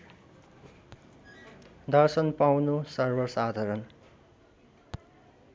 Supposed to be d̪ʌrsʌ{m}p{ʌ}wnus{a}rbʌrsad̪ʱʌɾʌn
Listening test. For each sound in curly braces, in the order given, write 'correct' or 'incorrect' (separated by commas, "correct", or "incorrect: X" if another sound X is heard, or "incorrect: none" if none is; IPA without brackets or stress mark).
incorrect: n, incorrect: a, incorrect: ʌ